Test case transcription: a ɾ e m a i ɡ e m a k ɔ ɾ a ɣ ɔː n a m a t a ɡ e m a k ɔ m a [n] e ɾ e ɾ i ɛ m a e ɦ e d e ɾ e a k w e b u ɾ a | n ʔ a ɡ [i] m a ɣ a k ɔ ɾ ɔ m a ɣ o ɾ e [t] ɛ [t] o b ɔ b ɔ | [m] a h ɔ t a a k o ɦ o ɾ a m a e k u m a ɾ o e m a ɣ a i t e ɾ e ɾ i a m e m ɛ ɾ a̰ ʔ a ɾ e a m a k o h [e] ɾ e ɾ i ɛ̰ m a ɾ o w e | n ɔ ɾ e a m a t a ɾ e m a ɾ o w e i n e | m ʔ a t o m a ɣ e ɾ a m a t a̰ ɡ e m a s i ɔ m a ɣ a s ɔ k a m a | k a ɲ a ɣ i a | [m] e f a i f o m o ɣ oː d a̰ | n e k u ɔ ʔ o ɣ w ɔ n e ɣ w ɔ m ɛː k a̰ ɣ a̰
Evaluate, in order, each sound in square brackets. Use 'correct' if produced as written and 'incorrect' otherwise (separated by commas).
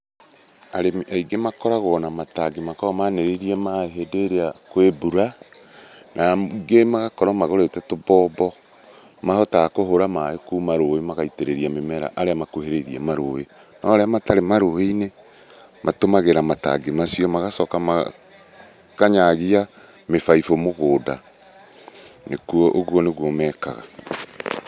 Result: correct, incorrect, correct, correct, correct, correct, correct